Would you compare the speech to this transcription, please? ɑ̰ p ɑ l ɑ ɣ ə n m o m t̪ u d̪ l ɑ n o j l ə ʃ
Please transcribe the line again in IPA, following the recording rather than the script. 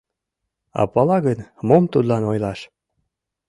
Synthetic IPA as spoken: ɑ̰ p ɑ l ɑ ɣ ə n m o m t̪ u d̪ l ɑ n o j l ɑ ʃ